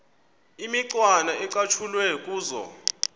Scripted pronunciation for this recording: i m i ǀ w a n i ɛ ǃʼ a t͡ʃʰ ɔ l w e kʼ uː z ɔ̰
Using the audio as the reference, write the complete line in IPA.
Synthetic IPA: i m i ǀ w a n a ɛ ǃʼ a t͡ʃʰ u l w ɛ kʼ uː z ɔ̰

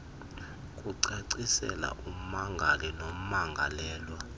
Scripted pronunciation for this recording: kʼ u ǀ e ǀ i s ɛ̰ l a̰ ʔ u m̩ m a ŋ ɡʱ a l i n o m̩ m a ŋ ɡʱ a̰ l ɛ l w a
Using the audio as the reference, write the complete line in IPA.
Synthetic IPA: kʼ u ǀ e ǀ i s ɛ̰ l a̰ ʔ u m̩ m a ŋ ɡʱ a l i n o m̩ m a ŋ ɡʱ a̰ l ɛː l w a

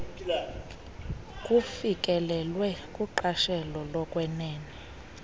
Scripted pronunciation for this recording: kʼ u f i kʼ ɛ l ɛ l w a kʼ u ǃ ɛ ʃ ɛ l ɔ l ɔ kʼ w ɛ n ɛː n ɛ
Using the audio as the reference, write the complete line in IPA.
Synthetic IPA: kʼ u f i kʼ ɛ l ɛ l w ɛ kʼ u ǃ a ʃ ɛ l ɔ l ɔ kʼ w ɛ n ɛː n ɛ

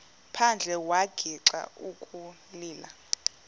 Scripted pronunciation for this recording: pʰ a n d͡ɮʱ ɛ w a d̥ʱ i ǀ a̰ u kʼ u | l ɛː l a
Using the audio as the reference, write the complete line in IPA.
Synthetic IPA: pʰ a n d͡ɮʱ ɛ w a ɡ̥ʱ i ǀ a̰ u kʼ u | l iː l a

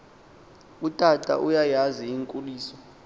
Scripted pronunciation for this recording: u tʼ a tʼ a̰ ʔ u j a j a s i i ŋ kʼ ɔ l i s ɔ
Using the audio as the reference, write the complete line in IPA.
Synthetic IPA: u tʼ a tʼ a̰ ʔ u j a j a z i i ŋ kʼ u l iː s ɔ

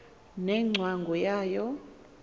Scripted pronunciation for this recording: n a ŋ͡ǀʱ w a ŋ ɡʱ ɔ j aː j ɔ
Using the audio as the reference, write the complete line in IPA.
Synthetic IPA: n ɛ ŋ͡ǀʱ w a ŋ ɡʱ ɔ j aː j ɔ

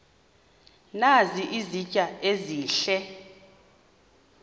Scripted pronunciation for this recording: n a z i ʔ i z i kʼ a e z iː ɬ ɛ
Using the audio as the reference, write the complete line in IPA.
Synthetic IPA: n a z i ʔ i z i cʼ a e z iː ɬ ɛ

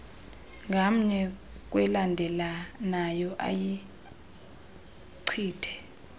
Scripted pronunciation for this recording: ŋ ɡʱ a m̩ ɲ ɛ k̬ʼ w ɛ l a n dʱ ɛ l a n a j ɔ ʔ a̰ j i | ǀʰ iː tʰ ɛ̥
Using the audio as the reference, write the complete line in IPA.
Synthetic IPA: ŋ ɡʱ a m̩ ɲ ɛ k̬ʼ w ɛ l a n dʱ ɛ l a n a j ɔ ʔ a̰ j i | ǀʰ iː tʰ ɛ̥

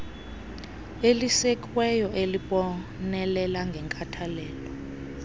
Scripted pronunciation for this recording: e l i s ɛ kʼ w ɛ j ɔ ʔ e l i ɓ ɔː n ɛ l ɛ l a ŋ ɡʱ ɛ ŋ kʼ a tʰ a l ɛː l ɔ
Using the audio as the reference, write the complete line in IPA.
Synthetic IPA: e l i s ɛ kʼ w ɛ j ɔ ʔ e l i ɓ ɔ n ɛ l ɛ l a ŋ ɡʱ ɛ ŋ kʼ a tʰ a l ɛː l ɔ

